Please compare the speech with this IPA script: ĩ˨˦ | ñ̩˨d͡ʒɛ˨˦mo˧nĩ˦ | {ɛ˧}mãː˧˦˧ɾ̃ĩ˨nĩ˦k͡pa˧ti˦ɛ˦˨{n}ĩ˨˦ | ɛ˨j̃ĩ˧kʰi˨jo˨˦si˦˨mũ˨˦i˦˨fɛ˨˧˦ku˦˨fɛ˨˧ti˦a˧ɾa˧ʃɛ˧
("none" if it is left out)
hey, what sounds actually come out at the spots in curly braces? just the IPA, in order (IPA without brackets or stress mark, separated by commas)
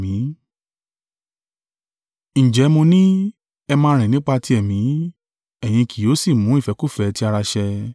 ɛ˧, m